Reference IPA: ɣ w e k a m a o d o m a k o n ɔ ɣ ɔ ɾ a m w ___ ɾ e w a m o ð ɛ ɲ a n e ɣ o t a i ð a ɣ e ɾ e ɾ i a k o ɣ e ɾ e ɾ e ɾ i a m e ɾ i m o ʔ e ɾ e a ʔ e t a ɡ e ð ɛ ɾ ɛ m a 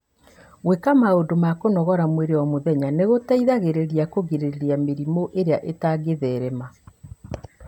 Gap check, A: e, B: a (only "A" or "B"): A